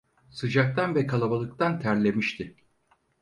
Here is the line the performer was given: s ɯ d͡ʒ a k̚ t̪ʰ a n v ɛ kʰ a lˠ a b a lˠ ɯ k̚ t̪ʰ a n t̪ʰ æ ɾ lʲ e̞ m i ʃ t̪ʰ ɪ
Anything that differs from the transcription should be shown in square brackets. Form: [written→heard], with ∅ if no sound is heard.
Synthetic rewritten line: s ɯ d͡ʒ a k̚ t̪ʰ a n v ɛ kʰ a lˠ a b a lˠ ɯ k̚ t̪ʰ a n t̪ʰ æ ɾ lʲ e̞ m i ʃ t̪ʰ ɪ

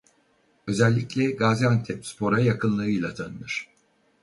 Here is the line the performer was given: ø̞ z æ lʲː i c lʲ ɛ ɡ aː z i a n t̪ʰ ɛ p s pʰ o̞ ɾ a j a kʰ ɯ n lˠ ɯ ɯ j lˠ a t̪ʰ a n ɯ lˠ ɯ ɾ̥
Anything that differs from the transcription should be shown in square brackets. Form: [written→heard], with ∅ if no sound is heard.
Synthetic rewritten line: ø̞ z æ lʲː i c lʲ ɛ ɡ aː z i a n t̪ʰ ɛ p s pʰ o̞ ɾ a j a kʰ ɯ n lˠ ɯ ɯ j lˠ a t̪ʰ a n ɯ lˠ ɯ ɾ̥

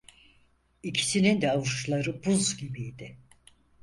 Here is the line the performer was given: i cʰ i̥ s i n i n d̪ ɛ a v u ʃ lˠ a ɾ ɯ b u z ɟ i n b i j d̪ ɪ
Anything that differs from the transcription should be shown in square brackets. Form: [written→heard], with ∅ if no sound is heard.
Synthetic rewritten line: i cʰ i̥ s i n i n d̪ ɛ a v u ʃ lˠ a ɾ ɯ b u z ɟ i [n→∅] b i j d̪ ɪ

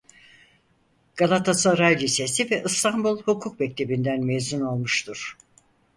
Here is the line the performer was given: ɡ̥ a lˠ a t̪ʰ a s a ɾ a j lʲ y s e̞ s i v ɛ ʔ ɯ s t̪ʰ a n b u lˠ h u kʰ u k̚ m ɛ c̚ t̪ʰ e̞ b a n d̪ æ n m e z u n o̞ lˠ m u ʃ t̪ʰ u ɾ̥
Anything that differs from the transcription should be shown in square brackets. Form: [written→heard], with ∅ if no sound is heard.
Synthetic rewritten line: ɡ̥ a lˠ a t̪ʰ a s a ɾ a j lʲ [y→i] s e̞ s i v ɛ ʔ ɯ s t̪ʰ a n b u lˠ h u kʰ u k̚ m ɛ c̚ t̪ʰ e̞ b [a→i] n d̪ æ n m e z u n o̞ lˠ m u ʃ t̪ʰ u ɾ̥

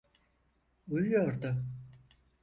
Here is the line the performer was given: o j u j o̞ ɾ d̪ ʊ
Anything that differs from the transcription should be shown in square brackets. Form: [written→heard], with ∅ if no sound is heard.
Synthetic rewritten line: [o→u] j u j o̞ ɾ d̪ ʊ

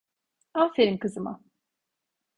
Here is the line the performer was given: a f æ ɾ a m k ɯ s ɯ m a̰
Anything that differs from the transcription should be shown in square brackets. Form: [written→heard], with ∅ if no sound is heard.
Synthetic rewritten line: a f [æ→e] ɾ [a→i] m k ɯ [s→z] ɯ m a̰

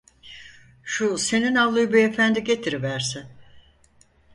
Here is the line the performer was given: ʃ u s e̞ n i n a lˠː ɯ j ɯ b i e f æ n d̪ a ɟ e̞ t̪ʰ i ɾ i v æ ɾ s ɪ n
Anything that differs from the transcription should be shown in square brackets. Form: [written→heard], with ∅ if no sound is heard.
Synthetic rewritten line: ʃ u s e̞ n i n a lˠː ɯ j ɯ b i e f æ n d̪ [a→i] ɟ e̞ t̪ʰ i ɾ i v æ ɾ s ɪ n

